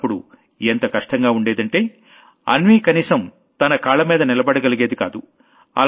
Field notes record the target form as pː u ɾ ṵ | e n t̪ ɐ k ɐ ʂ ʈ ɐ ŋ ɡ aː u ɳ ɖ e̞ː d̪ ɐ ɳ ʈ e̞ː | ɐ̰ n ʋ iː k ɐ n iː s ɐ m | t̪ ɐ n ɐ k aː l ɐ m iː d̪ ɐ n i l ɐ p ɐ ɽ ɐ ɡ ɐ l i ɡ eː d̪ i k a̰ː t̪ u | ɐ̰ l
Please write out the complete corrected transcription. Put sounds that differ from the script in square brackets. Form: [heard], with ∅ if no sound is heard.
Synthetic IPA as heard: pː u [ɽ] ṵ | e n t̪ ɐ k ɐ ʂ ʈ ɐ ŋ ɡ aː u ɳ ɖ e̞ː d̪ ɐ ɳ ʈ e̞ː | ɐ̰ n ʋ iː k ɐ n iː s ɐ m | t̪ ɐ n ɐ k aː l ɐ m iː d̪ ɐ n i l ɐ [b] ɐ ɽ ɐ ɡ ɐ l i ɡ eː d̪ i k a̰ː [d̪] u | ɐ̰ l